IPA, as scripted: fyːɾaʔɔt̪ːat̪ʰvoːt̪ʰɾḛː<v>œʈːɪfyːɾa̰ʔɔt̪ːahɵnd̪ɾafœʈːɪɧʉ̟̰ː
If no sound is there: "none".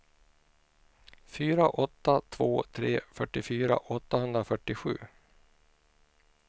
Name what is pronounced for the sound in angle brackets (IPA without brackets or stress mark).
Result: f